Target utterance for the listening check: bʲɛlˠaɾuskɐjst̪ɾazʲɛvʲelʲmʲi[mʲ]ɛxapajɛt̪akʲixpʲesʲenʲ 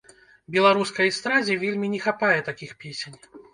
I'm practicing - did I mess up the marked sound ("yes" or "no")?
yes